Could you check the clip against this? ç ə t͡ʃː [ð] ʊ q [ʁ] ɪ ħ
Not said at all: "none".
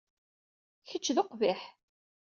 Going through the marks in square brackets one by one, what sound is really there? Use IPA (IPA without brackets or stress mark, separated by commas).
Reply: ð, v